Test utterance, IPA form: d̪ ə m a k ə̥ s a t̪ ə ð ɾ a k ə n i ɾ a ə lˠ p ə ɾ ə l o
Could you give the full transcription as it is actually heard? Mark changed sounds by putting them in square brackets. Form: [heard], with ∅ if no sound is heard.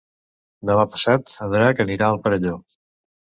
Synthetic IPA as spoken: d̪ ə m a [p] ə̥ s a t̪ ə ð ɾ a k ə n i ɾ a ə lˠ p ə ɾ ə [ʎ] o